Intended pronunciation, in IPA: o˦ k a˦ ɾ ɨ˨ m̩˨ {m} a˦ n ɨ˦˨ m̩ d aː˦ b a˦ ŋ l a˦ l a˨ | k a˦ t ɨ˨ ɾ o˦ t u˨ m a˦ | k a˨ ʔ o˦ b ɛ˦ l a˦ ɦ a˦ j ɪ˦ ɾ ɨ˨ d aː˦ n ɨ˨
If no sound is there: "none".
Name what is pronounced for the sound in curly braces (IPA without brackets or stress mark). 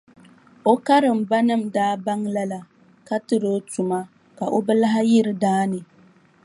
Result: b